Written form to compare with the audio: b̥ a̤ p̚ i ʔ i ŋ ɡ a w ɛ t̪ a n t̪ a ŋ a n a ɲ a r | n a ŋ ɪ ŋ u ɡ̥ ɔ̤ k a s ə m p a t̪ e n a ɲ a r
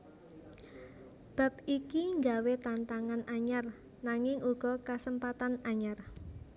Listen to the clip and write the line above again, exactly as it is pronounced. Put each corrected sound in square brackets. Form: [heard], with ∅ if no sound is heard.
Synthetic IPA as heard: b̥ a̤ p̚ i [k] i ŋ ɡ a w [e] t̪ a n t̪ a ŋ a n a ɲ a r | n a ŋ ɪ ŋ u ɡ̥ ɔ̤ k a s ə m p a t̪ [a] n a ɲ a r